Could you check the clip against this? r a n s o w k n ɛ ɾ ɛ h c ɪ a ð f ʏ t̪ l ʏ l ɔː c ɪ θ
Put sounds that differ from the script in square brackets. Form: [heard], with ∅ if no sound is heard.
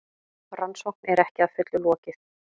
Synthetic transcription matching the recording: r a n s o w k n ɛ ɾ ɛ h c ɪ a ð f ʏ t̪ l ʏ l ɔː c ɪ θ